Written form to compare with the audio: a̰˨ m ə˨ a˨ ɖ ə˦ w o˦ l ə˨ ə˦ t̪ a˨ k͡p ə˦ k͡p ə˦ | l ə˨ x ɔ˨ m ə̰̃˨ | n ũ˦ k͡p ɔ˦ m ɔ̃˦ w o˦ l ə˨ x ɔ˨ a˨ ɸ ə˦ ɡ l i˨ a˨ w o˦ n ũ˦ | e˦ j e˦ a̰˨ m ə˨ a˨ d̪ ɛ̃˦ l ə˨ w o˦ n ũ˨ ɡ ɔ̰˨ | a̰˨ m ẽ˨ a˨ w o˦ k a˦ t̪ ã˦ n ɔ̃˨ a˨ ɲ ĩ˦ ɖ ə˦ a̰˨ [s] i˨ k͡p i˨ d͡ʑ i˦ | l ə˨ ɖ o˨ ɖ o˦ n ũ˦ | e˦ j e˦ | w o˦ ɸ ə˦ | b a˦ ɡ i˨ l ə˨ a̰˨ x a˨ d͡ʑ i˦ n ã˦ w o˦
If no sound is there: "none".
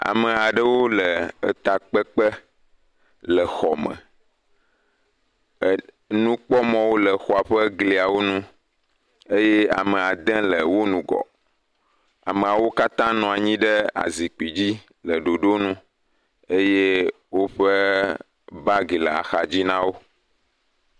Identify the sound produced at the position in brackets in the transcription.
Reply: z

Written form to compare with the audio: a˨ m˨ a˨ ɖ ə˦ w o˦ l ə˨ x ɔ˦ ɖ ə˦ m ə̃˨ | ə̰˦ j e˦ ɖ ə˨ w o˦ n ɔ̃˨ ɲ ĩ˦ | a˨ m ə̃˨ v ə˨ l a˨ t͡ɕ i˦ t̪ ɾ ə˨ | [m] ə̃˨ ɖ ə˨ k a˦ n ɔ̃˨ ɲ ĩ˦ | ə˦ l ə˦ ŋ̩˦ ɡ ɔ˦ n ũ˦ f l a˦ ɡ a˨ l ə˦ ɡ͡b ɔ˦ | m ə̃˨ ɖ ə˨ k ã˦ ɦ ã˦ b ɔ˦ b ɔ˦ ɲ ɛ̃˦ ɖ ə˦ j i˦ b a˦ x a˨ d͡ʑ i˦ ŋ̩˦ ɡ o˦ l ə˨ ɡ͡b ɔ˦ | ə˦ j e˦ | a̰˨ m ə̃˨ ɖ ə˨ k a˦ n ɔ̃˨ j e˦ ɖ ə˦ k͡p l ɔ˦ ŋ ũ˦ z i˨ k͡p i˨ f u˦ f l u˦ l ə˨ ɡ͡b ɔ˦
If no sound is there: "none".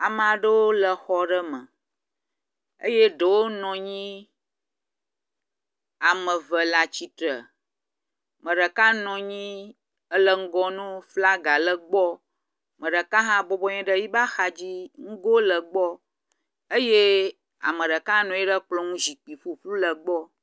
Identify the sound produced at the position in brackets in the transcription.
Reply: m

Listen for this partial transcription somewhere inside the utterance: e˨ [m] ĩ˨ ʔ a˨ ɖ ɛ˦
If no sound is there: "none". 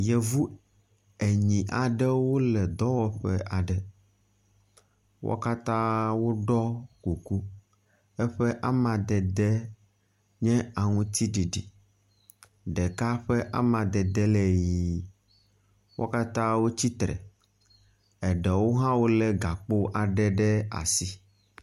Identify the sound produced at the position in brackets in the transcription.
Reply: ɲ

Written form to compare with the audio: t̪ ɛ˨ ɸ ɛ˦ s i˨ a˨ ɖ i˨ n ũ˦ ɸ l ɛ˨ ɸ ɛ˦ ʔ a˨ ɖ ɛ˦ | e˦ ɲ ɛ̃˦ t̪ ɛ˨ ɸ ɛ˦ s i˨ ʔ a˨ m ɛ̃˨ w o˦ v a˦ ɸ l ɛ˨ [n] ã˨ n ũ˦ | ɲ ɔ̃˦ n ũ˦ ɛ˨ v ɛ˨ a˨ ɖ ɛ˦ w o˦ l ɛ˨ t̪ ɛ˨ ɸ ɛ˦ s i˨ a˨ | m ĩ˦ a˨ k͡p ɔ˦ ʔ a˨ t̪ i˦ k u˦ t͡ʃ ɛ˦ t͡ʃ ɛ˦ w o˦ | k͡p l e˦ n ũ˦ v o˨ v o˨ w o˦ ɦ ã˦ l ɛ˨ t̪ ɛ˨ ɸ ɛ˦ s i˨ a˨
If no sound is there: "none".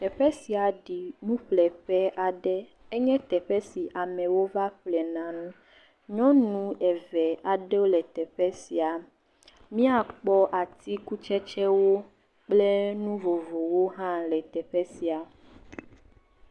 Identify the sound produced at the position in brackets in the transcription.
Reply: n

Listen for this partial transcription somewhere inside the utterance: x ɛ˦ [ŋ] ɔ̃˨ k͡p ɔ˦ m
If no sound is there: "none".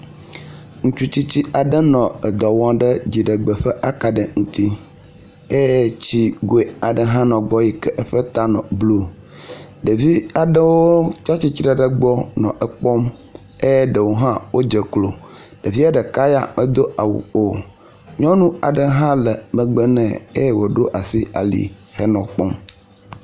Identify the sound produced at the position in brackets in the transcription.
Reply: n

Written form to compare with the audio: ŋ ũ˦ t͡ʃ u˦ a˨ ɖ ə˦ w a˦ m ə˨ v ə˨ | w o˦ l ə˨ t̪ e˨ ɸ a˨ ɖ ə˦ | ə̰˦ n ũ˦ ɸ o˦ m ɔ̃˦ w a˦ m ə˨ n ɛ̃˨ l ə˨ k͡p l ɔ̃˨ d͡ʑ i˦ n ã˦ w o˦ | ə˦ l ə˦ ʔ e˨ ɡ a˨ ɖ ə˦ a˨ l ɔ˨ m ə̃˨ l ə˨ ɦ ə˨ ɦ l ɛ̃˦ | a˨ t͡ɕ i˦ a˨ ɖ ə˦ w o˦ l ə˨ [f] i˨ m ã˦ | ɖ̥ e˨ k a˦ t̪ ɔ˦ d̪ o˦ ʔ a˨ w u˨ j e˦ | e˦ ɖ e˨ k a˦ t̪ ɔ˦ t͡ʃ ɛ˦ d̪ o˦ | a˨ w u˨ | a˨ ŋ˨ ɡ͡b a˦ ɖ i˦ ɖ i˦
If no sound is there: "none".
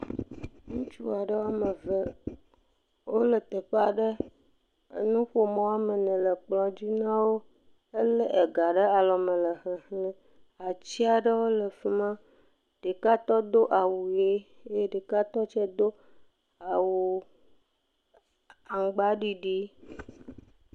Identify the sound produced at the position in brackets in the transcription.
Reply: f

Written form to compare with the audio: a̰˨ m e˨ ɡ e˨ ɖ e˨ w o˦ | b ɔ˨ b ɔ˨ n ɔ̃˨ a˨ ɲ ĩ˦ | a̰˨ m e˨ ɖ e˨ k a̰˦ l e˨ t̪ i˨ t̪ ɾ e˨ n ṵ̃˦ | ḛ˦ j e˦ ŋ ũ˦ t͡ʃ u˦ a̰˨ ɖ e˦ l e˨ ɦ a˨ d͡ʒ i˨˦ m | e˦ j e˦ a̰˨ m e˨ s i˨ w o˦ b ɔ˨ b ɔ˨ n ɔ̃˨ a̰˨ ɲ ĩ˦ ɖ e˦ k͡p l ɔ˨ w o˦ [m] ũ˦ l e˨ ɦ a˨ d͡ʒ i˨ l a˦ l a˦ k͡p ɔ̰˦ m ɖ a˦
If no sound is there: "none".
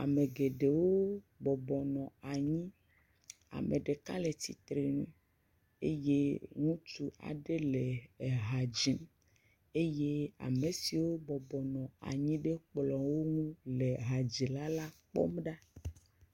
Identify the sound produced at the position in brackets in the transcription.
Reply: ŋ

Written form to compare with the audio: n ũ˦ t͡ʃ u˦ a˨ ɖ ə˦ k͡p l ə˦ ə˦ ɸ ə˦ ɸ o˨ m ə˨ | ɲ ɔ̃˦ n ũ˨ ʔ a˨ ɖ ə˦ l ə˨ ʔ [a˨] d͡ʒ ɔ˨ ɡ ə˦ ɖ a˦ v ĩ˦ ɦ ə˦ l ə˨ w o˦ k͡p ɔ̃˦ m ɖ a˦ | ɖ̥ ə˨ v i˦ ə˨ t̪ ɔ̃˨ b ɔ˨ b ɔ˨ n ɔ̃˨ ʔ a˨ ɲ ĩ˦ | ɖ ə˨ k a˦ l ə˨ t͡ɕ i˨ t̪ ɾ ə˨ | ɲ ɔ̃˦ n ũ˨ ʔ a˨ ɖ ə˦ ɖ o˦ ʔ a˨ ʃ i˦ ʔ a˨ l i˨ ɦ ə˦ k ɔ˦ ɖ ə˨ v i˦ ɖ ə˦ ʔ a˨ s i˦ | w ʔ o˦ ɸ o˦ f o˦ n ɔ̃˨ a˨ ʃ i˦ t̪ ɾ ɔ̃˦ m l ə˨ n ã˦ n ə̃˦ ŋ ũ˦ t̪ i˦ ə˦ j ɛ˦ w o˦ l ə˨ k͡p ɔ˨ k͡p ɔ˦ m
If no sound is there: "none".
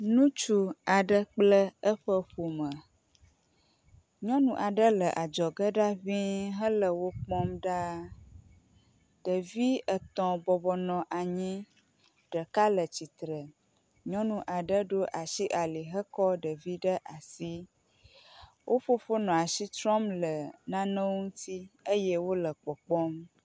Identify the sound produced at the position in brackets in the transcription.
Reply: a˨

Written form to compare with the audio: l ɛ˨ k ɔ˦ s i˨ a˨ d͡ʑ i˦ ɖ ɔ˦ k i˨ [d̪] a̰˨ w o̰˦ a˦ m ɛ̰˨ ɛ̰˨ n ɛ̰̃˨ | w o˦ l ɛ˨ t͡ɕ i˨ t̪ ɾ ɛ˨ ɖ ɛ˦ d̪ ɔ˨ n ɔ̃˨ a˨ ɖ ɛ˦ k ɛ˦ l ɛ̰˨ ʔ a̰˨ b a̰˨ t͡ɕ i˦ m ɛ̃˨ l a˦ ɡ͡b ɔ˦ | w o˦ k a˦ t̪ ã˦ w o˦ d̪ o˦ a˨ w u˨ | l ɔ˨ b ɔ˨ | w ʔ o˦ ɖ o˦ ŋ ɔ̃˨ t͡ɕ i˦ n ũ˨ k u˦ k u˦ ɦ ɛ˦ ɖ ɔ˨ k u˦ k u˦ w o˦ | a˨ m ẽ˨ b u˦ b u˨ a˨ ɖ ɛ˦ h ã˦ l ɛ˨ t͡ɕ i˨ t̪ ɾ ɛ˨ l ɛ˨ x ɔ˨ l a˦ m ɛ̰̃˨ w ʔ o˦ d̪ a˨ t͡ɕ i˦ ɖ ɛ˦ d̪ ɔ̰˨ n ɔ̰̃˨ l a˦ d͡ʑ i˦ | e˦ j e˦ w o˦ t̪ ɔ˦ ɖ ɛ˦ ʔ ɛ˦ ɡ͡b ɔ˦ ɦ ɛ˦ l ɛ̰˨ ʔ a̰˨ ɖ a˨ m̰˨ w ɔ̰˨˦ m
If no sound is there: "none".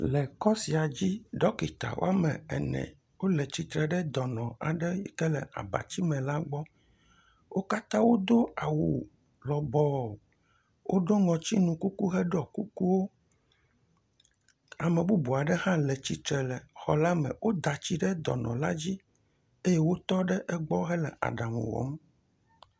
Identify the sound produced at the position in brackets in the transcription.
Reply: t̪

